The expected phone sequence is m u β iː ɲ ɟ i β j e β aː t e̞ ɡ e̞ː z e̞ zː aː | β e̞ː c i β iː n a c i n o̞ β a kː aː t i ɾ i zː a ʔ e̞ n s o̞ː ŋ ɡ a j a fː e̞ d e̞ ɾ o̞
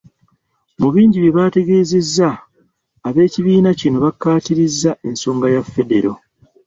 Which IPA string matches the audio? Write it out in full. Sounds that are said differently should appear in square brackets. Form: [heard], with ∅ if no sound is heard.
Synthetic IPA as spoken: m u β iː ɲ ɟ i β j e β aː t e̞ ɡ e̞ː z e̞ zː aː | β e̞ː c i β iː n a c i n o̞ β a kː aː t i ɾ i zː a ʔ e̞ n s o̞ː ŋ ɡ a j a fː e̞ d e̞ ɾ o̞